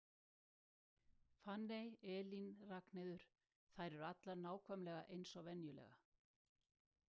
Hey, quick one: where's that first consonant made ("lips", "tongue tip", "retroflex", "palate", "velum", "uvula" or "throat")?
lips